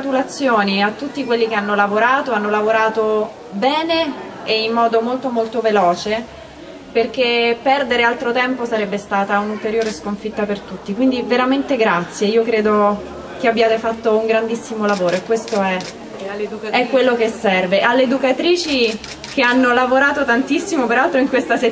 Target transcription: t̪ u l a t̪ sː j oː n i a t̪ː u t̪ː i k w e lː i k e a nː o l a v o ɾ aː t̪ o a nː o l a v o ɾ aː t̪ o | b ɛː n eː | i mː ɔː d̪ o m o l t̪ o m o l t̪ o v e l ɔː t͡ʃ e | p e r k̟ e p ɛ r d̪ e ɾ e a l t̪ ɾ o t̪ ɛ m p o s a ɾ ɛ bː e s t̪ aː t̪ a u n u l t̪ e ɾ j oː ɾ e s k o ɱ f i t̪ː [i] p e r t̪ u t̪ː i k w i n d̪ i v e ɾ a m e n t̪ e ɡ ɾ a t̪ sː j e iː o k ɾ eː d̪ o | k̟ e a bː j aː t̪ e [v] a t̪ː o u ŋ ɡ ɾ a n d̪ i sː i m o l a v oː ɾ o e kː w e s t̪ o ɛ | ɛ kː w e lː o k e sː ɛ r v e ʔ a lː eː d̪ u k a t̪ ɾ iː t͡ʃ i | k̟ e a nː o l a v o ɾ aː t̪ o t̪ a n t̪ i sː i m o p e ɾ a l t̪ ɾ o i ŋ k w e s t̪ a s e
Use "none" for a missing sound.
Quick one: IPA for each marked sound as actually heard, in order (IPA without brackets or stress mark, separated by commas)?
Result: a, f